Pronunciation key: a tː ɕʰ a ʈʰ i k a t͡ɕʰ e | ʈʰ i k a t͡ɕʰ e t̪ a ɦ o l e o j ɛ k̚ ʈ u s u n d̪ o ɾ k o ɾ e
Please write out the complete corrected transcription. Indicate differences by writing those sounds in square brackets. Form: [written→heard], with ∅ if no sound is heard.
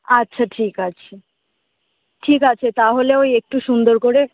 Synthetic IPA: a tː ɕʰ a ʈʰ i k a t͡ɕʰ e | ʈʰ i k a t͡ɕʰ e t̪ a ɦ o l e o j [ɛ→e] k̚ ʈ u [s→ʃ] u n d̪ o ɾ k o ɾ e